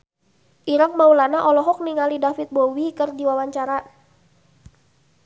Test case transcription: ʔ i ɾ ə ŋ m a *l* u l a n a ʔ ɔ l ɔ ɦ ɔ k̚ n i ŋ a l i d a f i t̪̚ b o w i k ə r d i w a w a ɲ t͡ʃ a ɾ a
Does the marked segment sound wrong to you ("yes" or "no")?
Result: yes